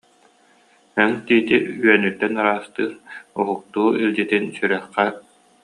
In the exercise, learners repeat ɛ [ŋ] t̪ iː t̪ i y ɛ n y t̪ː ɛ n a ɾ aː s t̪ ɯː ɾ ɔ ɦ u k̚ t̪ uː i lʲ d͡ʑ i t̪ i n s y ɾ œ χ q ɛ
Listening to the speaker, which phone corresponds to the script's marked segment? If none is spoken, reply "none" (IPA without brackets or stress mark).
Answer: ŋ